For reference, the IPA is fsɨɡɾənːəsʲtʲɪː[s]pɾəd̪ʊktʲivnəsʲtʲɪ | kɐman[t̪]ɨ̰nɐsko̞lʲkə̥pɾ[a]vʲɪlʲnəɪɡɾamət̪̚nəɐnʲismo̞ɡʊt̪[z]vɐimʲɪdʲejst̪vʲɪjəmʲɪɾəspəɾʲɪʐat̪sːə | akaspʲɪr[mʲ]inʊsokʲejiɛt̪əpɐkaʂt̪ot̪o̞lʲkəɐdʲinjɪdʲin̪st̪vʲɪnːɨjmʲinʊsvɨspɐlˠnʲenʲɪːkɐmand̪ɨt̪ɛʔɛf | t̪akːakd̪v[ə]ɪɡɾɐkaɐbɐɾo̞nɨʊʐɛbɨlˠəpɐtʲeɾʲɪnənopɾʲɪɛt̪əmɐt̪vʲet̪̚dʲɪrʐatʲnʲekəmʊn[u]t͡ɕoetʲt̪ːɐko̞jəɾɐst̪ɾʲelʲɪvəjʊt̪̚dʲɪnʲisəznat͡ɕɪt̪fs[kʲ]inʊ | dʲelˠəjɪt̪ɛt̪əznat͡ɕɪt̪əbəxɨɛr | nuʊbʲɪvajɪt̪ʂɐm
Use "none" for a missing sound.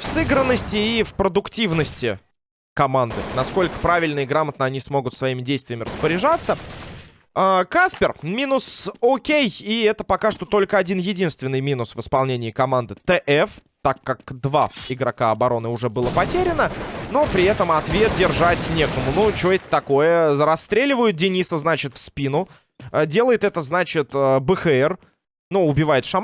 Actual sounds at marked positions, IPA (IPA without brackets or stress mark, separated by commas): f, d̪, a, s, mʲ, a, u, pʲ